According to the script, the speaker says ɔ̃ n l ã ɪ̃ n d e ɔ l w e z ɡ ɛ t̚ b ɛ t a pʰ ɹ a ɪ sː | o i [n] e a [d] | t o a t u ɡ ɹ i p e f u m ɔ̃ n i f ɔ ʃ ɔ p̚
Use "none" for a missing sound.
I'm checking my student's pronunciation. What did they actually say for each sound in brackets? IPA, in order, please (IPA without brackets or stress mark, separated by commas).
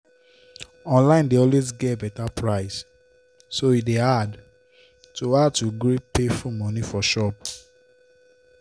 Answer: d, d